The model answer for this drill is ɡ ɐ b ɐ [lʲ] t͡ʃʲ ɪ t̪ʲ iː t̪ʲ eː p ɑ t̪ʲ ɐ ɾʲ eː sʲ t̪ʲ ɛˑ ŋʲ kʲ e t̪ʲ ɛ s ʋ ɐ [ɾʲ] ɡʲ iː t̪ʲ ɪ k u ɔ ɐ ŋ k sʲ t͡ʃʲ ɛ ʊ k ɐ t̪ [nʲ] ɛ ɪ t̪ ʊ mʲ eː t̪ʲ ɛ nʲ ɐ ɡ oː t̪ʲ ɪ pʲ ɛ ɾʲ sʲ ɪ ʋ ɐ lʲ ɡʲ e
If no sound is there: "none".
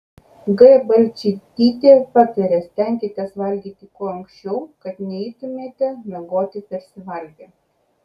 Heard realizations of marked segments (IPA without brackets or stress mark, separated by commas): lʲ, lʲ, nʲ